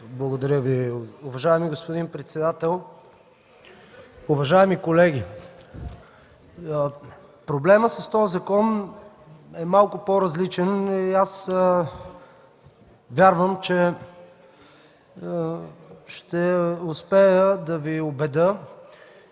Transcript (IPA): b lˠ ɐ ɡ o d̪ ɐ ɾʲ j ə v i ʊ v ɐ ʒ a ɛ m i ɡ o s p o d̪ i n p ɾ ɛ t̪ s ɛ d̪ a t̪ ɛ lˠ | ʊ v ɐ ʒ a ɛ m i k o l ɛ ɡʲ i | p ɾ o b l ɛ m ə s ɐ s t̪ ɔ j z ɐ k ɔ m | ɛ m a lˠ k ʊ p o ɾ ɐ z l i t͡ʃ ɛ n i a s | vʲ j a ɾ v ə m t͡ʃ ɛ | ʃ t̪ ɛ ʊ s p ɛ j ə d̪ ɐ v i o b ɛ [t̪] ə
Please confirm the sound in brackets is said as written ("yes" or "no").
no